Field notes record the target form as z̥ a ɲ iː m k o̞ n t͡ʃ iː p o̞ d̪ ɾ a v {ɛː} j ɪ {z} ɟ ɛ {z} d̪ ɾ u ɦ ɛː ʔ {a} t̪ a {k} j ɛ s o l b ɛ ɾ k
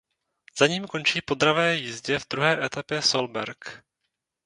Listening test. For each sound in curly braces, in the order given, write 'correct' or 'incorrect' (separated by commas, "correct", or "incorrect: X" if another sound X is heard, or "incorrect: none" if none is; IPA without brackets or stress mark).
correct, correct, incorrect: v, incorrect: ɛ, incorrect: p